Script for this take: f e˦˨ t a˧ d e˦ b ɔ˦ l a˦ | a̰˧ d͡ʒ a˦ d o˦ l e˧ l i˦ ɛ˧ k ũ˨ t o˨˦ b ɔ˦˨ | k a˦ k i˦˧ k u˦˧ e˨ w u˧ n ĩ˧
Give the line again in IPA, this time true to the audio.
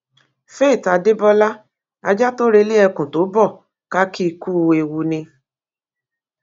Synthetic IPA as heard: f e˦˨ t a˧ d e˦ b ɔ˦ l a˦ | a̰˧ d͡ʒ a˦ t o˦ ɾ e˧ l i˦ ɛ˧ k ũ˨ t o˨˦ b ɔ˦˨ | k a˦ k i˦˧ k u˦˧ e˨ w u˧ n ĩ˧